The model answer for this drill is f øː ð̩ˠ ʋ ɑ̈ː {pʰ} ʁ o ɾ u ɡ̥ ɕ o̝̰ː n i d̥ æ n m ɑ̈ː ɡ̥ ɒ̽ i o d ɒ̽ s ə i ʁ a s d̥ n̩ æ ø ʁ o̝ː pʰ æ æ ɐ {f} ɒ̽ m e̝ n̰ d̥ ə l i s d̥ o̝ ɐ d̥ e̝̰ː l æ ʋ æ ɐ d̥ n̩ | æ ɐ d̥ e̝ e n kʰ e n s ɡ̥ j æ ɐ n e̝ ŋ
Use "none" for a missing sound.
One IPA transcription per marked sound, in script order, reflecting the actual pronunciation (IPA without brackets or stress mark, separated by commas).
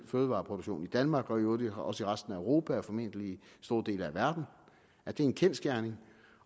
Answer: pʰ, f